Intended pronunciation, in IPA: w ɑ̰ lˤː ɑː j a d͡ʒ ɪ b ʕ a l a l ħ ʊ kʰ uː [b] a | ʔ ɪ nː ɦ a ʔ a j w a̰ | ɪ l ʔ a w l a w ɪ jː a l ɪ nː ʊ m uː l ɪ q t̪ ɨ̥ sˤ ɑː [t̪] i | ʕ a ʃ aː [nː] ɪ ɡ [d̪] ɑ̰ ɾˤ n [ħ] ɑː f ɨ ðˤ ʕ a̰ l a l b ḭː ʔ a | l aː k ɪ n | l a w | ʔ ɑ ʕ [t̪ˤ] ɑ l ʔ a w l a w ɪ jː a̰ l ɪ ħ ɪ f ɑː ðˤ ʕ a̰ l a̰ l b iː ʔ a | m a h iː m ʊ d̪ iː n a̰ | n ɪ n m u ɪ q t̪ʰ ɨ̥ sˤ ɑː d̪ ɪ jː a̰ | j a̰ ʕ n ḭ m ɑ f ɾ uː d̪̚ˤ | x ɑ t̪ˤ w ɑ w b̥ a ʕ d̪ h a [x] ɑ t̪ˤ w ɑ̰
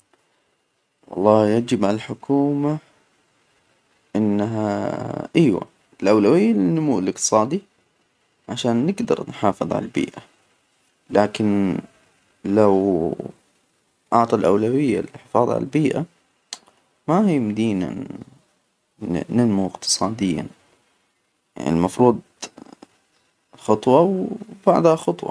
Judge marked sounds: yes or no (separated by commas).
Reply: no, no, yes, yes, yes, yes, yes